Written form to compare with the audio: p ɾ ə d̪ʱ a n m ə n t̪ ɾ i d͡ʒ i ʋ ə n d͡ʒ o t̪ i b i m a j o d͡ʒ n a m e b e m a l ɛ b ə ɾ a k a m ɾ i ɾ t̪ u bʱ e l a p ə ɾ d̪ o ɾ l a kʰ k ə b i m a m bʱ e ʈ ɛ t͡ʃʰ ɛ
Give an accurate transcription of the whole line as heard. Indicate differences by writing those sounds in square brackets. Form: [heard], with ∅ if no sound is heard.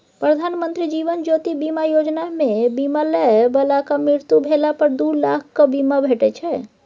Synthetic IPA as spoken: p ɾ ə d̪ʱ a n m ə n t̪ ɾ i d͡ʒ i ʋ ə n d͡ʒ o t̪ i b i m a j o d͡ʒ n a m e b [i] m a l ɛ b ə [l] a k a m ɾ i ɾ t̪ u bʱ e l a p ə ɾ d̪ [u] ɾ l a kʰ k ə b i m a [∅] bʱ e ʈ ɛ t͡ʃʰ ɛ